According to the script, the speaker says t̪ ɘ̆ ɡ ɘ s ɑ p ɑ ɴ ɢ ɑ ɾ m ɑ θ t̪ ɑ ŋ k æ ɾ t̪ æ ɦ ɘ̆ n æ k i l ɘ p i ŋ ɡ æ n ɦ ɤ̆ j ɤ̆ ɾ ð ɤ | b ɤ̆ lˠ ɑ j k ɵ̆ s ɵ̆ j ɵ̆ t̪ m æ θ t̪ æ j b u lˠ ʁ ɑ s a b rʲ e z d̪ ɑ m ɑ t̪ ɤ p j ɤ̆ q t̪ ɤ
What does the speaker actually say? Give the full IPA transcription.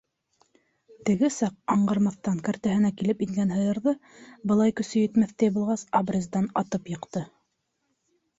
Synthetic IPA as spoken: t̪ ɘ̆ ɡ ɘ s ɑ q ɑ ɴ ɢ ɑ ɾ m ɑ θ t̪ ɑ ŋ k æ ɾ t̪ æ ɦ ɘ̆ n æ k i l ɘ p i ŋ ɡ æ n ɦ ɤ̆ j ɤ̆ ɾ ð ɤ | b ɤ̆ lˠ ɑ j k ɵ̆ s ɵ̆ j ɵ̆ t̪ m æ θ t̪ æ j b u lˠ ʁ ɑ s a b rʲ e z d̪ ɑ n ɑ t̪ ɤ p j ɤ̆ q t̪ ɤ